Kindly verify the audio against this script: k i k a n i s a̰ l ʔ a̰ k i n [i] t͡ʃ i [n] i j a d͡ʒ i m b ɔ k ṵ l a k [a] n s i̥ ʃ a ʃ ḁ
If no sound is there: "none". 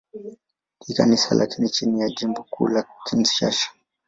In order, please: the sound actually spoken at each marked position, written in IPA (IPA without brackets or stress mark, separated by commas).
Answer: i, n, i